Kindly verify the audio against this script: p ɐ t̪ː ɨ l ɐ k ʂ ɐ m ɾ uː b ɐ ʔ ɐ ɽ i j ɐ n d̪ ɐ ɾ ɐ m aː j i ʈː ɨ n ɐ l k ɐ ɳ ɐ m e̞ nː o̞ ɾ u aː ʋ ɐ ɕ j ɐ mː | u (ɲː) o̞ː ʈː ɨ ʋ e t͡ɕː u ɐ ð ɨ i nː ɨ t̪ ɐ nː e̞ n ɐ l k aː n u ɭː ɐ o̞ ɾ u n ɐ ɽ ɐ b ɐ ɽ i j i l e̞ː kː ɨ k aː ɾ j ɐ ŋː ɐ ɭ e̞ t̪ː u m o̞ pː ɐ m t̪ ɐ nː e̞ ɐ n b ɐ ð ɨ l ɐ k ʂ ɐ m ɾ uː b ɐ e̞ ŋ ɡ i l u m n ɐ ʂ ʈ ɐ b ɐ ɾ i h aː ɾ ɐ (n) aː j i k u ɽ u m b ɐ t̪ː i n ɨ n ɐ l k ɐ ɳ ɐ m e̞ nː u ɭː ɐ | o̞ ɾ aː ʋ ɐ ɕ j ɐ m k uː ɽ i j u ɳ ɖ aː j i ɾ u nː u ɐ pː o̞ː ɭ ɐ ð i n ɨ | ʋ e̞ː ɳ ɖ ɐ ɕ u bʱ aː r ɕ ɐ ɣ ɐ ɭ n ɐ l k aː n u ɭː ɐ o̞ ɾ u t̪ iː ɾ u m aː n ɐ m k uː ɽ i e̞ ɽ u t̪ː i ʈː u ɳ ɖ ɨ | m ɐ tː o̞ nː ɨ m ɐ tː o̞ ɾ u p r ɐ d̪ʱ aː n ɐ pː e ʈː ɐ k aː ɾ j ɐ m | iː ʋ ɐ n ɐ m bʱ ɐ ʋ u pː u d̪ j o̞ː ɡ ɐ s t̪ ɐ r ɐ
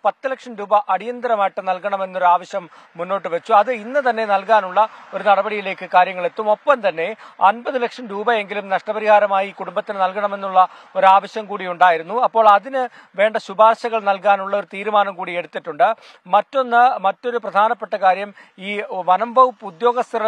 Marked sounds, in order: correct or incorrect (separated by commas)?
incorrect, incorrect